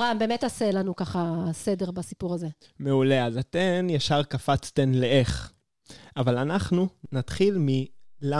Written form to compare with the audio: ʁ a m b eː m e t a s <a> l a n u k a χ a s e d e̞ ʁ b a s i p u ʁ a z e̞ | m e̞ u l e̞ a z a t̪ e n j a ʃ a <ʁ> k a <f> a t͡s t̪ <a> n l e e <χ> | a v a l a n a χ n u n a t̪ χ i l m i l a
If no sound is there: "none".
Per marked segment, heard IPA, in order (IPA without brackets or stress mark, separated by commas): e, ʁ, f, e, χ